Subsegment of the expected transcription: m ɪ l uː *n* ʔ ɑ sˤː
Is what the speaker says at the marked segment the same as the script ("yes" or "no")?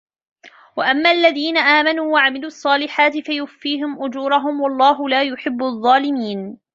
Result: no